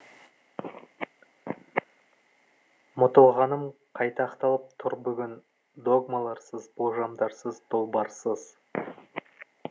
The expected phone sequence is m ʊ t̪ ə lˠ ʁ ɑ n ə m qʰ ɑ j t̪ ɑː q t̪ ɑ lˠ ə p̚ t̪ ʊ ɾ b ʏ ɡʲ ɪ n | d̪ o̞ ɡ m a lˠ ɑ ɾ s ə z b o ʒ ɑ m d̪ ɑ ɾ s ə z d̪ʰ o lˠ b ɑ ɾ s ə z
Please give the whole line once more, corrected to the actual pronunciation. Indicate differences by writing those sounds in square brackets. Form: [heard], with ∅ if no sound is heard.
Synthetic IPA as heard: m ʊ t̪ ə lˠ ʁ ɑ n ə m qʰ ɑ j t̪ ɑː q t̪ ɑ lˠ ə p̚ [t̪ʰ] ʊ ɾ b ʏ ɡʲ ɪ n | d̪ o̞ ɡ m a lˠ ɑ ɾ s ə z b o ʒ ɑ m d̪ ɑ ɾ s ə z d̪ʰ o lˠ b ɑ ɾ s ə z